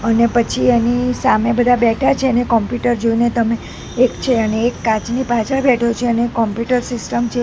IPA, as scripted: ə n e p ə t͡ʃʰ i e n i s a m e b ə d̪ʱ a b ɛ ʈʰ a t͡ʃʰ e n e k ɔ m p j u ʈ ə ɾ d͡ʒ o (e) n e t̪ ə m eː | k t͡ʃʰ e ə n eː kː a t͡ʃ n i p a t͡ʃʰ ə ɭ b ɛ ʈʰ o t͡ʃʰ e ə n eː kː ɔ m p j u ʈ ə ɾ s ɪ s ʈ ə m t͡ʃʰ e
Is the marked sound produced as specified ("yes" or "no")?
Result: no